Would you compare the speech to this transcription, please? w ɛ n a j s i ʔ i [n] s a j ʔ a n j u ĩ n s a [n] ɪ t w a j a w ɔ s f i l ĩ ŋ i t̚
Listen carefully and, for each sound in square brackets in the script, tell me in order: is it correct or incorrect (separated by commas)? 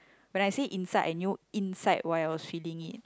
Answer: correct, incorrect